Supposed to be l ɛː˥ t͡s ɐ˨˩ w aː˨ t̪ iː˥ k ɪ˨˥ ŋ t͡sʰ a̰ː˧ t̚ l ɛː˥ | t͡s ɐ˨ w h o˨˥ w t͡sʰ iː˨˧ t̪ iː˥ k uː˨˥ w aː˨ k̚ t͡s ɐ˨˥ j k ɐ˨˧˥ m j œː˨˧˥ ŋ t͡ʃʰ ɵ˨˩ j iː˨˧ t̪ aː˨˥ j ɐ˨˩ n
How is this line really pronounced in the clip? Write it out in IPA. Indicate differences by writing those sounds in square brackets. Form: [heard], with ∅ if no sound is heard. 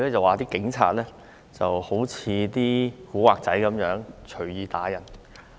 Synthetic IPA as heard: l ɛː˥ t͡s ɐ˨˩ w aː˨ t̪ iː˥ k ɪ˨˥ ŋ t͡sʰ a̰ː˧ t̚ l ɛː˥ | t͡s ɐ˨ w h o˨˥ w t͡sʰ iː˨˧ t̪ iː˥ k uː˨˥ w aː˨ k̚ t͡s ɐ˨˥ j k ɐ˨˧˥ m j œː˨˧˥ ŋ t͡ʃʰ ɵ˨˩ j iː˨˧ t̪ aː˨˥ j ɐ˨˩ n